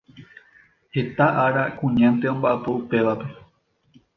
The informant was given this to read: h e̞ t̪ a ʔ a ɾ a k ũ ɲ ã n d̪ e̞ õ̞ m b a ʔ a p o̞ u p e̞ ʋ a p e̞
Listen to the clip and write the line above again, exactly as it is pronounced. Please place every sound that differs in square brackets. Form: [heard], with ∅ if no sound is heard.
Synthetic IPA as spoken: h e̞ t̪ a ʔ a ɾ a k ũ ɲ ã n [t̪] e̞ õ̞ m b a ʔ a p o̞ u p e̞ ʋ a p e̞